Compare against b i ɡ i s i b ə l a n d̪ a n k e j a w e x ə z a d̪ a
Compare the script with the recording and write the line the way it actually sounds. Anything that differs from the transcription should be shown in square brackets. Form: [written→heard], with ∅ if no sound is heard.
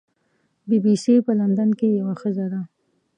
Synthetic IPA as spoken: b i [ɡ→b] i s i [b→p] ə l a n d̪ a n k e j a w [e→a] x ə z a d̪ a